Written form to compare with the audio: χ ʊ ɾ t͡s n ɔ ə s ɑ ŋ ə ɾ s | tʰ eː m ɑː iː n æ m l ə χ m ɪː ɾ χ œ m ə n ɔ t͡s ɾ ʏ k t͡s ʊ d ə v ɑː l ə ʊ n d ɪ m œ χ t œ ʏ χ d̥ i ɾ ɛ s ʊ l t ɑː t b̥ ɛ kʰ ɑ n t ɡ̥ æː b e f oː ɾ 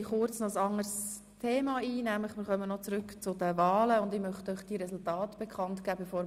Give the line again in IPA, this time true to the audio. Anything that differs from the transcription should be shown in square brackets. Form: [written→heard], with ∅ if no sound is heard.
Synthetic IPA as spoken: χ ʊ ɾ t͡s n ɔ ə s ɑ ŋ ə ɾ s | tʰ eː m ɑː iː n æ m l ə χ m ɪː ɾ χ œ m ə n ɔ t͡s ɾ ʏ k t͡s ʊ d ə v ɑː l ə ʊ n d ɪ m œ χ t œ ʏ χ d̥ i ɾ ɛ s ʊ l t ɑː t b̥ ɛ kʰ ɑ n t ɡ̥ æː b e f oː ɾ